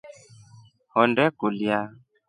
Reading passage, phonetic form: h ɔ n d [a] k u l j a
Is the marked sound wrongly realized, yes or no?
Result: yes